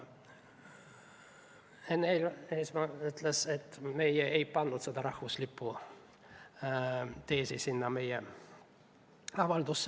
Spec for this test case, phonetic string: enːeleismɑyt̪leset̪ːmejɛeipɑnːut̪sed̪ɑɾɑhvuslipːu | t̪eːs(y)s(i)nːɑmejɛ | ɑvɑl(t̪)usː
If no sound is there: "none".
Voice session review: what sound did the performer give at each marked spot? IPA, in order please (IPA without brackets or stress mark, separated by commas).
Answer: i, i, d̪